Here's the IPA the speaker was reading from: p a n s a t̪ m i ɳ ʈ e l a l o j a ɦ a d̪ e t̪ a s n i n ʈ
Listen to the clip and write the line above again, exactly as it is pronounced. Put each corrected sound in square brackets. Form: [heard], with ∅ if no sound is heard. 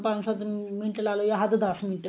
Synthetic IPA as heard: p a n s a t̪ m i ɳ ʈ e l a l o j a ɦ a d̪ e [d̪] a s [m] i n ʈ